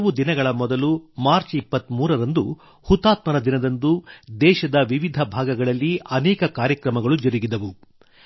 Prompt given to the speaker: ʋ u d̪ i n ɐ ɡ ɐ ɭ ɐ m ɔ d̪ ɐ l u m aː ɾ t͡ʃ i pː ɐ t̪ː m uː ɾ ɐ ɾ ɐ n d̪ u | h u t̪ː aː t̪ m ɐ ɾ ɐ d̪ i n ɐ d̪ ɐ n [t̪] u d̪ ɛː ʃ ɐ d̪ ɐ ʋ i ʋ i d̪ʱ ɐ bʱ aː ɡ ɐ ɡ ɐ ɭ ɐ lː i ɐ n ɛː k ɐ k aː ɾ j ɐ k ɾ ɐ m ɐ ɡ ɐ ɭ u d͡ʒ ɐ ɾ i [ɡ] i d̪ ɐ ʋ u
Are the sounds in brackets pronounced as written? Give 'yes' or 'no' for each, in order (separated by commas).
no, yes